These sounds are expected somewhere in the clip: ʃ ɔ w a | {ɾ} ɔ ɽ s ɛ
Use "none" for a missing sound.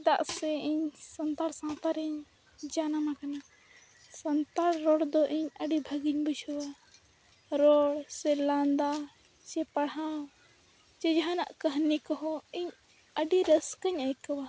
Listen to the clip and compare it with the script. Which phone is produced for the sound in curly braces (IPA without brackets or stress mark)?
ɾ